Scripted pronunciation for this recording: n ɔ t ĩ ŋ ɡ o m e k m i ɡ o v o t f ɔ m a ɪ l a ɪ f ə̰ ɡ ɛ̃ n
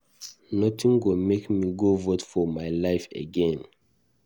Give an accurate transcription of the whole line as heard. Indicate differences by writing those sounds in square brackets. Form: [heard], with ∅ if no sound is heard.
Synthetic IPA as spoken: n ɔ t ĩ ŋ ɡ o m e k m i ɡ o v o t f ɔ m a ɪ l a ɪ f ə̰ ɡ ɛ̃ n